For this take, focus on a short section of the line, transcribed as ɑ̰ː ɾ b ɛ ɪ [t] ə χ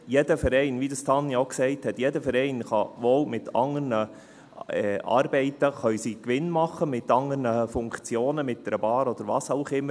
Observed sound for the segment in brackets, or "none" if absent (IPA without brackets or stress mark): t